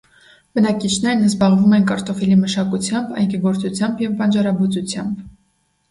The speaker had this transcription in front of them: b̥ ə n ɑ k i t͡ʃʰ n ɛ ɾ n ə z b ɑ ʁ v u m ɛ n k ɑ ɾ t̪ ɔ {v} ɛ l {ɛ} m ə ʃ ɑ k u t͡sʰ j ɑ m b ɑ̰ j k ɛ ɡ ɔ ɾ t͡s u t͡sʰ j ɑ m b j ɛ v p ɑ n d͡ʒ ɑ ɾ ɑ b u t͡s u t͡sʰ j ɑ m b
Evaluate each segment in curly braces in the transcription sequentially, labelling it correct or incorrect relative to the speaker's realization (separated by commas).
incorrect, incorrect